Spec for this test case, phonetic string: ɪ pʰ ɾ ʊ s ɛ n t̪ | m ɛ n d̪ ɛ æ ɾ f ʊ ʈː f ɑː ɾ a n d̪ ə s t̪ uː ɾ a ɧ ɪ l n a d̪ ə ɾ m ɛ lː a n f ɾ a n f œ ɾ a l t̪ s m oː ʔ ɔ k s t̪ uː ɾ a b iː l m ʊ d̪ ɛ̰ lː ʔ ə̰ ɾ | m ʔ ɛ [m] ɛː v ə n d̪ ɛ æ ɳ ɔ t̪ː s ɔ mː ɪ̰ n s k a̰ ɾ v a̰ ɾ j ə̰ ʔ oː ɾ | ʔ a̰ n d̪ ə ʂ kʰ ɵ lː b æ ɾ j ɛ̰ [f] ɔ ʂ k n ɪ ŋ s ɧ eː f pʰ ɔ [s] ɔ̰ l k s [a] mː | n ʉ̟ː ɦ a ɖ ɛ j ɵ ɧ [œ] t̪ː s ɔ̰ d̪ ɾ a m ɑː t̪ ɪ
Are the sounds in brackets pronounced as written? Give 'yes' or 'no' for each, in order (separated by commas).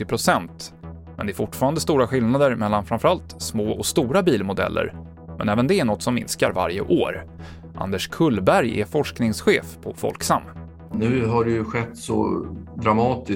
no, yes, no, yes, no